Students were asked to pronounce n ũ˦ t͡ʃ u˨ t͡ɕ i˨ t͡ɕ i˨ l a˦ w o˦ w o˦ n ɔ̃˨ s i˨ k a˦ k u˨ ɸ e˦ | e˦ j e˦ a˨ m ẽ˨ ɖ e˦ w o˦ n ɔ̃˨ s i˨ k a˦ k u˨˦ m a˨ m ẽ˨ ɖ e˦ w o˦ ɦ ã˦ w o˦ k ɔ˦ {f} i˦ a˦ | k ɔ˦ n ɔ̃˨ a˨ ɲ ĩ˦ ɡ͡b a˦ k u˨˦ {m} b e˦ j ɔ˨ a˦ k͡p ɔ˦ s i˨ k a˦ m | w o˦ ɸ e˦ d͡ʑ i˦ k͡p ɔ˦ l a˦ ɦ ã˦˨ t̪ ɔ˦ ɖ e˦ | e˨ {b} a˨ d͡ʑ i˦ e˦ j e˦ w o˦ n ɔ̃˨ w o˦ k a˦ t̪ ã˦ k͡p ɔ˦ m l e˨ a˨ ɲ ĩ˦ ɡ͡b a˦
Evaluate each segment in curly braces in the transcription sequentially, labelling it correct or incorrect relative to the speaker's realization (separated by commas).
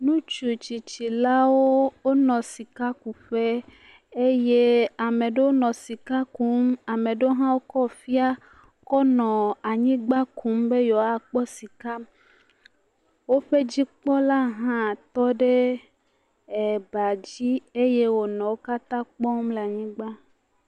correct, correct, correct